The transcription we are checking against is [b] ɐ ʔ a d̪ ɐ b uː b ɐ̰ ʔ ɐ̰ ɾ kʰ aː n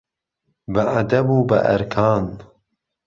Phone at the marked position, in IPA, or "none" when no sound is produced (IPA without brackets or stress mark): b